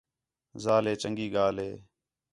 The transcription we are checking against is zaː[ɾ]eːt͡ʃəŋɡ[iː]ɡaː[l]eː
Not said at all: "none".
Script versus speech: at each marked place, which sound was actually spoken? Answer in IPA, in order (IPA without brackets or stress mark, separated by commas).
l, iː, l